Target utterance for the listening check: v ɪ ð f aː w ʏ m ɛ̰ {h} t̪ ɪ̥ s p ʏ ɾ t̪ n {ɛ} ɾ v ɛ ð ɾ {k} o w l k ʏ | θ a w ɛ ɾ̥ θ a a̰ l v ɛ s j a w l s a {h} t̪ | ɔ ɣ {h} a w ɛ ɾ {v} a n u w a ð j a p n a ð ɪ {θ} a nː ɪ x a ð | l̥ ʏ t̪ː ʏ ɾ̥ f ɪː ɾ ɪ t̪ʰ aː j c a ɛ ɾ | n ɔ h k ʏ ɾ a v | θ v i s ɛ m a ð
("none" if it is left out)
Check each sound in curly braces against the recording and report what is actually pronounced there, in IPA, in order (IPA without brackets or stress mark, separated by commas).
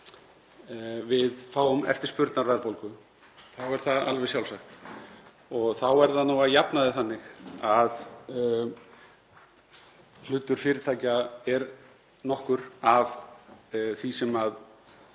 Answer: f, a, p, x, θ, ð, θ